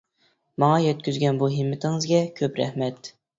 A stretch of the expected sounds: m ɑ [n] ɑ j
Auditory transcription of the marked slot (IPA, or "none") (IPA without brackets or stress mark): ŋ